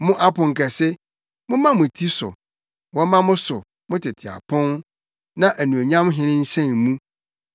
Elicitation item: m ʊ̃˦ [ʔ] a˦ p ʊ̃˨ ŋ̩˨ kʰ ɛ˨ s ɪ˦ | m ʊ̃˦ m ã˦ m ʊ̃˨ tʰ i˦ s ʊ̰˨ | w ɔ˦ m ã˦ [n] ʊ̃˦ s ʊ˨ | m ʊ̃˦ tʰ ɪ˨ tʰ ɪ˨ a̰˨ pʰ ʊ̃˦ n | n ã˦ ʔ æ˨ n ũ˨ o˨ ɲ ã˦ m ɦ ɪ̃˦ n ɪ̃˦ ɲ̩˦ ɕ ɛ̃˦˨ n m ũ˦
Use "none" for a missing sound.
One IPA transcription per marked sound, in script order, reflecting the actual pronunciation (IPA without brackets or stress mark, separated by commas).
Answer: ʔ, m